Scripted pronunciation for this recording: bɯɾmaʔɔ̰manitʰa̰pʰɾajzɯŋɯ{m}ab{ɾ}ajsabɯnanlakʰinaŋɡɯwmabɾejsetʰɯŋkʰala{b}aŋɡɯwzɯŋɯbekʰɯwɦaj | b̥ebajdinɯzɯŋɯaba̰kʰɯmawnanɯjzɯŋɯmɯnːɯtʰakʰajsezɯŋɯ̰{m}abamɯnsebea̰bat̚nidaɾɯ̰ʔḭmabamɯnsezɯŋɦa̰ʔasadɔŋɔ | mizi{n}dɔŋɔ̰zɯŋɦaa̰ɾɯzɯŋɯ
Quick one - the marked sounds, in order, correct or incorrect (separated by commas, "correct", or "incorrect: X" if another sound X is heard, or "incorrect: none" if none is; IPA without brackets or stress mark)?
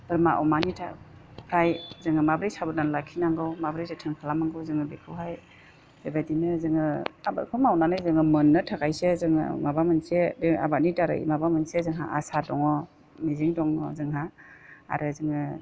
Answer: correct, correct, incorrect: m, correct, incorrect: ŋ